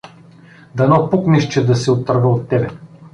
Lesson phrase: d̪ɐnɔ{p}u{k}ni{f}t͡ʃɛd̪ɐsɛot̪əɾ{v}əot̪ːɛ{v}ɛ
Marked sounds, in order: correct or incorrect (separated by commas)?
correct, correct, incorrect, correct, incorrect